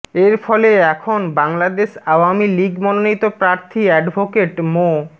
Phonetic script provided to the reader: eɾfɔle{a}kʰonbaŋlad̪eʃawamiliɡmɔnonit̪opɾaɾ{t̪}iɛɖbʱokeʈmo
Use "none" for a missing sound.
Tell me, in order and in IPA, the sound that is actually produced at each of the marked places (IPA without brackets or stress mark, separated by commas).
ɛ, t̪ʰ